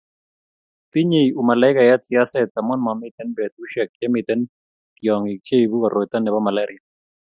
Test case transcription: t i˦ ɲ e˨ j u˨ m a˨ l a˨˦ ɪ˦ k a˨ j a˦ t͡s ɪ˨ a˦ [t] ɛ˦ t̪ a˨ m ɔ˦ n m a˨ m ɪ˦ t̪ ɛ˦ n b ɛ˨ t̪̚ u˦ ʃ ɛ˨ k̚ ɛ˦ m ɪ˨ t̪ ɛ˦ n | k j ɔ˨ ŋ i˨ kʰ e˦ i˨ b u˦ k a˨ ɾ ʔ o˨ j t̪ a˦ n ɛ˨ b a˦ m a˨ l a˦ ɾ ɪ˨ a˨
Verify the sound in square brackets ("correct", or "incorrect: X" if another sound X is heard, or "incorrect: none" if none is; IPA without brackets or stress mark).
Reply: incorrect: s